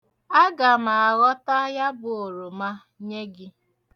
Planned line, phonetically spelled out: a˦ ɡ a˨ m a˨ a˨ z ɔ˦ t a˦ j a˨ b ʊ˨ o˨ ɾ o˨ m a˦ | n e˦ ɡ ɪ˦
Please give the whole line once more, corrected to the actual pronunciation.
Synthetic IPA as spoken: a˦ ɡ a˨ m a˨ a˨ ɣ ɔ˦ t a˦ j a˦ b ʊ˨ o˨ ɾ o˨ m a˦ | ɲ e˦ ɡ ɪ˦